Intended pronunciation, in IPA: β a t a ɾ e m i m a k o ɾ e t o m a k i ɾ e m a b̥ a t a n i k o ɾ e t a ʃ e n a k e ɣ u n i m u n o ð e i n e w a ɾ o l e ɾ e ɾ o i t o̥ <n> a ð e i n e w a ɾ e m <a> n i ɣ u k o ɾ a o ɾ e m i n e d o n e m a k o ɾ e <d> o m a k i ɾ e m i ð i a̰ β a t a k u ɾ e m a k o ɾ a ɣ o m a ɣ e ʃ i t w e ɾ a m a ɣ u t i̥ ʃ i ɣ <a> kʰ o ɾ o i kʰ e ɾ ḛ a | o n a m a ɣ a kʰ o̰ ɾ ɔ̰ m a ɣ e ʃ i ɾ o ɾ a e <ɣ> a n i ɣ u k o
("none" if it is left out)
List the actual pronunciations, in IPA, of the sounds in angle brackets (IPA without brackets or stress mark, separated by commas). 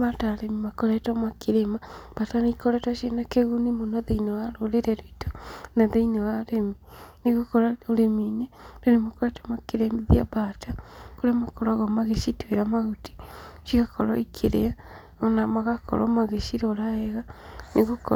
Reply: n, i, t, a, ɣ